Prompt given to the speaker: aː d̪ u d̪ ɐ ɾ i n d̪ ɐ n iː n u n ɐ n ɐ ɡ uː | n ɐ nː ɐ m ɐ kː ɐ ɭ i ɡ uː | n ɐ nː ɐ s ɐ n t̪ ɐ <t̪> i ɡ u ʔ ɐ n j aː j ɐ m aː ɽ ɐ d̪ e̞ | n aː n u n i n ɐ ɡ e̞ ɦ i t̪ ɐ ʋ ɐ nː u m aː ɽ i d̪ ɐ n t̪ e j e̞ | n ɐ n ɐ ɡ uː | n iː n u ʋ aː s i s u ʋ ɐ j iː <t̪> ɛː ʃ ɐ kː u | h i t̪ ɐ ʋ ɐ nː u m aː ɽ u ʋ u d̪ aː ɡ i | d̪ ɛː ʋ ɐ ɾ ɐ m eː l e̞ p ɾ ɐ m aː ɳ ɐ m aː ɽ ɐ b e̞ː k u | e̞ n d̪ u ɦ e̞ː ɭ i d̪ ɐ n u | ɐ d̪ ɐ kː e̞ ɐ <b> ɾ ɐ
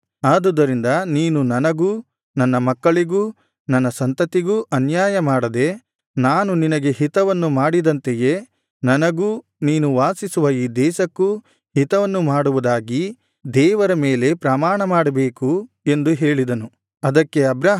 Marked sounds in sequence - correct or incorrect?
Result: correct, incorrect: d̪, correct

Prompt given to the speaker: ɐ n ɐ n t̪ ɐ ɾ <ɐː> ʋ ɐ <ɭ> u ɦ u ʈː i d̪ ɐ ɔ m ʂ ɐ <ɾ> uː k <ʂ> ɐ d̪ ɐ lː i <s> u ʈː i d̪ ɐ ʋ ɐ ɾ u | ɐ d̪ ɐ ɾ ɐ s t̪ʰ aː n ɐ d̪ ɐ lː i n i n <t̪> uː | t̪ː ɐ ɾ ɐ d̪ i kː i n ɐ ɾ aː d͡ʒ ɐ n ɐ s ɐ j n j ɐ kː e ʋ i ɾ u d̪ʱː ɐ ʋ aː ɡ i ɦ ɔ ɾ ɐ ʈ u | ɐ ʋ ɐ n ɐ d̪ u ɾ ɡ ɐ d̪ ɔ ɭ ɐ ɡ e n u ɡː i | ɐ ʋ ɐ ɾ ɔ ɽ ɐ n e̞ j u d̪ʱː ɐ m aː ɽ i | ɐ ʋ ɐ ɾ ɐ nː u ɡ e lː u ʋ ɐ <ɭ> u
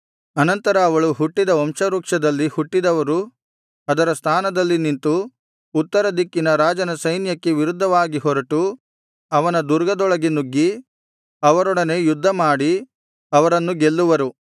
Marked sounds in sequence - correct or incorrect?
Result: correct, correct, correct, correct, incorrect: h, correct, incorrect: ɾ

